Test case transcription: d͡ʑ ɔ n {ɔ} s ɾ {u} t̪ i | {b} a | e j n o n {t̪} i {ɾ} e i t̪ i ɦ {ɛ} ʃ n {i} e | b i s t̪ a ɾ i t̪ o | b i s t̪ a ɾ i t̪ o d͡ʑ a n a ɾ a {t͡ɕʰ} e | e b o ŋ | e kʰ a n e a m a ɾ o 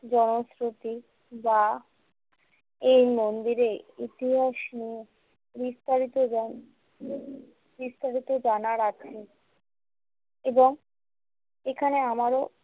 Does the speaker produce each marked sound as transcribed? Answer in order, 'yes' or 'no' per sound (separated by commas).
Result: no, no, yes, no, yes, no, yes, yes